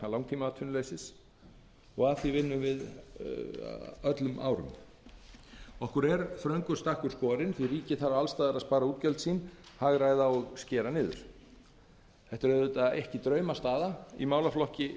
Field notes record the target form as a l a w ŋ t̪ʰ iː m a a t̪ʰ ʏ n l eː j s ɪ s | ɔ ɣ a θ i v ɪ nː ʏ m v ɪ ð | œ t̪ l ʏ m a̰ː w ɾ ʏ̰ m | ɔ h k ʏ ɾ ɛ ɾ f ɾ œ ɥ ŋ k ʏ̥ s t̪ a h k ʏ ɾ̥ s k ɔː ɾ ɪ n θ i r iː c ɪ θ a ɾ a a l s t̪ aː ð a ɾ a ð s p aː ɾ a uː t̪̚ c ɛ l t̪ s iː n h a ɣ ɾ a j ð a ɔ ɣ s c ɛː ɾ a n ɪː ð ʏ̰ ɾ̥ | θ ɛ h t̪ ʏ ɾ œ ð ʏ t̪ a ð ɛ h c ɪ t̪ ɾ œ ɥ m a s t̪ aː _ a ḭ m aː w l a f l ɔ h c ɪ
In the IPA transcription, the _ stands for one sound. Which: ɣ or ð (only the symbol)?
ð